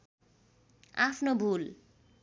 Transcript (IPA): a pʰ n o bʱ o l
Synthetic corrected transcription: a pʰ n o bʱ u l